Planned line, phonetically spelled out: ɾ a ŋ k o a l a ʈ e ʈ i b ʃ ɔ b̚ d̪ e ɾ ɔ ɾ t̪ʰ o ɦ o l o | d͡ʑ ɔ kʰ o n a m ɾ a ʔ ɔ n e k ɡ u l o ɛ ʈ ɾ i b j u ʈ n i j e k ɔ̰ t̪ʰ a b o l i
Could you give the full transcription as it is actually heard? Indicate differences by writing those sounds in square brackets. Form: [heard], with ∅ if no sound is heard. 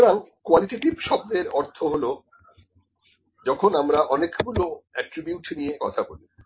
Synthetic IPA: ɾ a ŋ k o a l [i] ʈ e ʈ i b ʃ ɔ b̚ d̪ e ɾ ɔ ɾ t̪ʰ o ɦ o l o | d͡ʑ ɔ kʰ o n a m ɾ a ʔ ɔ n e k ɡ u l o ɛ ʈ ɾ i b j u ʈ n i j e k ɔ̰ t̪ʰ a b o l i